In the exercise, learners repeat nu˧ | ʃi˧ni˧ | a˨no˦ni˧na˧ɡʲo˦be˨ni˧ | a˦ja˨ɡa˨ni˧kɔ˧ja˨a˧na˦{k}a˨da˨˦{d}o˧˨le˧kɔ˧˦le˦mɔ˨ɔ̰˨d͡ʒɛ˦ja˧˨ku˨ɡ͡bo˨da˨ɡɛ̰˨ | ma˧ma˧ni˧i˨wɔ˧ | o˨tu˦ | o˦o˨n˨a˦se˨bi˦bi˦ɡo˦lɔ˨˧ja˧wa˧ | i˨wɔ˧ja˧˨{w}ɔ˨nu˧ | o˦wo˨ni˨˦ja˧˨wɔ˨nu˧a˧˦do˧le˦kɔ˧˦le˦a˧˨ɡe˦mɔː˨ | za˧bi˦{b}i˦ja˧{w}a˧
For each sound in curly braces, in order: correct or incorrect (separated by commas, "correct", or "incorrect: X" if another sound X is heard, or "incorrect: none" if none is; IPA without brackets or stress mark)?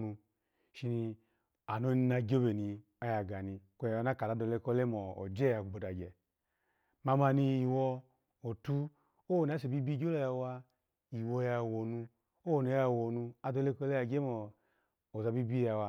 correct, correct, correct, correct, correct